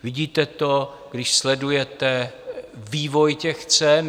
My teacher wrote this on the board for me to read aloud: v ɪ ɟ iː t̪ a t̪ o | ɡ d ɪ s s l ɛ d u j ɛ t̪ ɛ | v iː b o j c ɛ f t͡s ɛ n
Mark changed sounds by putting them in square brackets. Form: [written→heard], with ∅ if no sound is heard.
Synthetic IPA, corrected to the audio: v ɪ ɟ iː t̪ [a→ɛ] t̪ o | ɡ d ɪ [s→ʃ] s l ɛ d u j ɛ t̪ ɛ | v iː [b→v] o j c ɛ [f→x] t͡s ɛ n